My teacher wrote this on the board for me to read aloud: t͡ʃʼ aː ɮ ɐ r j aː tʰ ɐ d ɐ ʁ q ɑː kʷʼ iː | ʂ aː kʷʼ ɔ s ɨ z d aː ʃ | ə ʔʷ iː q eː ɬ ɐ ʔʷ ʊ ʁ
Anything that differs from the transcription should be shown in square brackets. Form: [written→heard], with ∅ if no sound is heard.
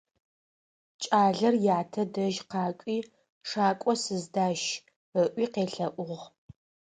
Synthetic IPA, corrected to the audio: t͡ʃʼ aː ɮ ɐ r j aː tʰ ɐ d ɐ [ʁ→ʒ] q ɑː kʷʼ iː | ʂ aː kʷʼ ɔ s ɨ z d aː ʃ | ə ʔʷ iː q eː ɬ ɐ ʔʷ ʊ ʁ